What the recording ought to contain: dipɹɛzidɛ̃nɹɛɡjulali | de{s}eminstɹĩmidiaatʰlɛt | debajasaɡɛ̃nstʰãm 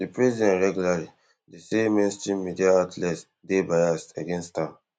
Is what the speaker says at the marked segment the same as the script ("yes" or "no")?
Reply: yes